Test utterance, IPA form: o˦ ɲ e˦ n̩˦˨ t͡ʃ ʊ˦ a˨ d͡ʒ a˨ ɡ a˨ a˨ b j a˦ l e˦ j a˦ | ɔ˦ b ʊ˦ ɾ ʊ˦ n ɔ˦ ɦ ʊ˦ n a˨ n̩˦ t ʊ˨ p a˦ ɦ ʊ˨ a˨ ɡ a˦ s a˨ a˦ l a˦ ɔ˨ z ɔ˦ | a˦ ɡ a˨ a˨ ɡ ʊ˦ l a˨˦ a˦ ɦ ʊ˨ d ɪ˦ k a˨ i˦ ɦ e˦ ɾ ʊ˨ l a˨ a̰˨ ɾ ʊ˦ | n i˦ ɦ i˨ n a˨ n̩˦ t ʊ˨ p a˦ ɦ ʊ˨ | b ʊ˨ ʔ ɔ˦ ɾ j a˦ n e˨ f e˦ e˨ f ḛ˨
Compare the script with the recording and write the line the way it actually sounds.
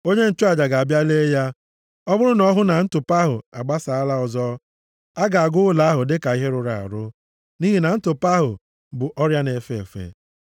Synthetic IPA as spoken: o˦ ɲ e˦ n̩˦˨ t͡ʃ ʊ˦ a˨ d͡ʒ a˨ ɡ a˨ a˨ b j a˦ l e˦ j a˦ | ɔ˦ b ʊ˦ ɾ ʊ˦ n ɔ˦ ɦ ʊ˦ n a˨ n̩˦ t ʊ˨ p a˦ ɦ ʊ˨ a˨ ɡ͡b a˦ s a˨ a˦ l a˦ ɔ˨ z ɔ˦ | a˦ ɡ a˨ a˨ ɡ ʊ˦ l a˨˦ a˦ ɦ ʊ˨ d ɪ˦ k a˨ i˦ ɦ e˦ ɾ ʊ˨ ɾ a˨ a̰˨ ɾ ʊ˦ | n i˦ ɦ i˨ n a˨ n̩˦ t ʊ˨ p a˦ ɦ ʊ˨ | b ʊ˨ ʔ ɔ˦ ɾ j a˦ n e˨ f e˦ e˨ f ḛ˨

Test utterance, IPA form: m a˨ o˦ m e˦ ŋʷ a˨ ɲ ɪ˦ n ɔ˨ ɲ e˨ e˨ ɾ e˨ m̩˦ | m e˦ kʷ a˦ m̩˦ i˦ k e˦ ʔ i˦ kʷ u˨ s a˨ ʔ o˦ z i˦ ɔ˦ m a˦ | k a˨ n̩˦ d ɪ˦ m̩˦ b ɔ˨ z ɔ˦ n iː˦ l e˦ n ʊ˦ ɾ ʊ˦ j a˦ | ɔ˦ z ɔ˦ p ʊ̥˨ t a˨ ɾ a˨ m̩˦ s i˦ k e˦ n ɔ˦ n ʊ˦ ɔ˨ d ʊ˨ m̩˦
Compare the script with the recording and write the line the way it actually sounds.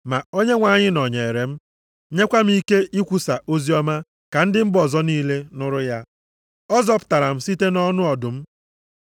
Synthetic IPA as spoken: m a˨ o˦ ɲ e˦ ŋʷ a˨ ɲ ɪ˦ n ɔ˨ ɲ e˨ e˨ ɾ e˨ m̩˦ | ɲ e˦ kʷ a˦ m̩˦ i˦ k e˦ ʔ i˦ kʷ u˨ s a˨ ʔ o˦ z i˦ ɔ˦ m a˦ | k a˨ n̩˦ d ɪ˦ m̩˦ b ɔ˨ z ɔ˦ n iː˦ l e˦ n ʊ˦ ɾ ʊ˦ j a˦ | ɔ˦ z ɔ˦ p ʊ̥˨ t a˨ ɾ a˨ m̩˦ s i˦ t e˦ n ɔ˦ n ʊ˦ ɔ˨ d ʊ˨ m̩˦

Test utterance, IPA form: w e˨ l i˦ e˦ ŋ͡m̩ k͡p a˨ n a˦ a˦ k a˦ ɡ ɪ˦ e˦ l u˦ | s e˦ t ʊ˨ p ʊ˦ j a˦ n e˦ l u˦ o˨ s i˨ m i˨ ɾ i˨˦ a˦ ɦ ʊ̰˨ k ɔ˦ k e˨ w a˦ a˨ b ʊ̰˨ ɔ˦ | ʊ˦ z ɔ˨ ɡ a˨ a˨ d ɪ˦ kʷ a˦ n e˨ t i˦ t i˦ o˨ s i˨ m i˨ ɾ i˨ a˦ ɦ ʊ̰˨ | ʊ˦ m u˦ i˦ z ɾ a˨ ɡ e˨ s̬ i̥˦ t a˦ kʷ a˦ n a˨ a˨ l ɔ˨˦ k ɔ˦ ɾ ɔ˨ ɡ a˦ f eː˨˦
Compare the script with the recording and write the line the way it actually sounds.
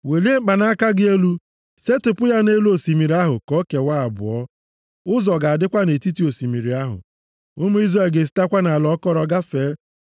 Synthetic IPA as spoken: w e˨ l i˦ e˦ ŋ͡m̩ k͡p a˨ n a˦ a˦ k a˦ ɡ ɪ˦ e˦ l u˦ | s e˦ t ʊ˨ p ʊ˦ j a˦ n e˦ l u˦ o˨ s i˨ m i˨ ɾ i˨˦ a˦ ɦ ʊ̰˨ k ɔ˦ k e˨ w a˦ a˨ b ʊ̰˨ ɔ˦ | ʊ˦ z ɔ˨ ɡ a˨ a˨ d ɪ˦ kʷ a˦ n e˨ t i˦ t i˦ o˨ s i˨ m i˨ ɾ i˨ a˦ ɦ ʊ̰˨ | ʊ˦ m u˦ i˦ z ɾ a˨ ɡ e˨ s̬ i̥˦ t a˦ kʷ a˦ n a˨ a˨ l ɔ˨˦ k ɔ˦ ɾ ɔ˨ ɡ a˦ f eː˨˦

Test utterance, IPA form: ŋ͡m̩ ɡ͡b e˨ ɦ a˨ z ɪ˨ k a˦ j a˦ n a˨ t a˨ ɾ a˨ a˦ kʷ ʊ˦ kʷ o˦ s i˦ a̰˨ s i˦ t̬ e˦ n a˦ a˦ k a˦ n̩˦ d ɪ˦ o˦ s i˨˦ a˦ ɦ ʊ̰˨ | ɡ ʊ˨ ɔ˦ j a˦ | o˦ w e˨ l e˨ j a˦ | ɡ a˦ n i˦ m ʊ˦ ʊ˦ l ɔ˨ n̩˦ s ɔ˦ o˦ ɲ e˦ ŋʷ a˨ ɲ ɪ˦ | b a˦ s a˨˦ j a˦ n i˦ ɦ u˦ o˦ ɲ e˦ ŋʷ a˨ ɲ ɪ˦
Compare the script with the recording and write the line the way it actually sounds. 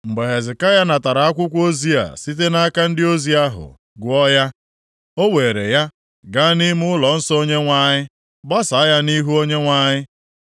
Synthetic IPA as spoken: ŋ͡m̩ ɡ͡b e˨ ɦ e˨ z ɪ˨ k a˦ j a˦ n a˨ t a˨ ɾ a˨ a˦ kʷ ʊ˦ kʷ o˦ z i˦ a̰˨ s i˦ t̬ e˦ n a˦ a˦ k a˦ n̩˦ d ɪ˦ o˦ z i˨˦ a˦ ɦ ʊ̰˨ | ɡ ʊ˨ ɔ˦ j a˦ | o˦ w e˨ ɾ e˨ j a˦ | ɡ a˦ n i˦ m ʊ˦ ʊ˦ l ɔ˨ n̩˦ s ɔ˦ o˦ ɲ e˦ ŋʷ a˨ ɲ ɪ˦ | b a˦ s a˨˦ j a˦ n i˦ ɦ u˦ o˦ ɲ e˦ ŋʷ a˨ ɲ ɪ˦

